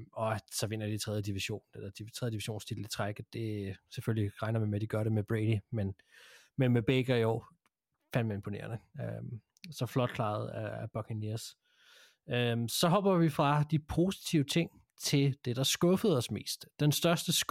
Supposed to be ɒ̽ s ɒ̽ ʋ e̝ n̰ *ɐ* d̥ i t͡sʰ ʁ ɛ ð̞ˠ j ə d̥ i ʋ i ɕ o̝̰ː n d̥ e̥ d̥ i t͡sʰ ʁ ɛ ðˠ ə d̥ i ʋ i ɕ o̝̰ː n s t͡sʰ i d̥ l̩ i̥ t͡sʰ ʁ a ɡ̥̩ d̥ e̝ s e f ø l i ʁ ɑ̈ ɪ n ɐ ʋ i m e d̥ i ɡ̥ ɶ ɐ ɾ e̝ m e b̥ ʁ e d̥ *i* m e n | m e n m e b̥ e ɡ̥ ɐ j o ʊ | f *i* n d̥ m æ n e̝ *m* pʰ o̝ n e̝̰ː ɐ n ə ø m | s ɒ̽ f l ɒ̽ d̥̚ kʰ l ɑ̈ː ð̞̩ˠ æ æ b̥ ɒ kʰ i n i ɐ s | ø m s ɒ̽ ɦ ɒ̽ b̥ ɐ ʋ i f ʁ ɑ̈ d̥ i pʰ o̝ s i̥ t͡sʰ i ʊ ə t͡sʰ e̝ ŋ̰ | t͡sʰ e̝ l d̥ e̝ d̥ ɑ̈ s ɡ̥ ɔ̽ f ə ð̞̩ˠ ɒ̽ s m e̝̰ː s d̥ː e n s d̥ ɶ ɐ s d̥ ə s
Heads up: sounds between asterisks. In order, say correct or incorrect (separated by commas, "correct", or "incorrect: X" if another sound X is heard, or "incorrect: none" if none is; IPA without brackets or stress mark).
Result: correct, correct, incorrect: æ, correct